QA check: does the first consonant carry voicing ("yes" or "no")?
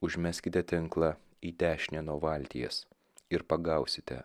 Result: yes